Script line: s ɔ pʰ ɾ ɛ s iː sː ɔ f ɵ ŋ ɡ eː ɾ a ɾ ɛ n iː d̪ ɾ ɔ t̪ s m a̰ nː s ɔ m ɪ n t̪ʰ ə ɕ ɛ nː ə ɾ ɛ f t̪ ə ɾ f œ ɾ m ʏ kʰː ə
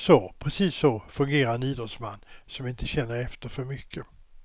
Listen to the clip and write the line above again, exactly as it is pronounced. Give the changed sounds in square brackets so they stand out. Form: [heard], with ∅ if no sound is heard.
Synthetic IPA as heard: s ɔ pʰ ɾ ɛ s iː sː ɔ f ɵ ŋ ɡ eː ɾ a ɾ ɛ n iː d̪ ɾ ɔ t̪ s m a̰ nː s ɔ m ɪ n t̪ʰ ə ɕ ɛ nː ə ɾ ɛ f t̪ ə ɾ f œ ɾ m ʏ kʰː ə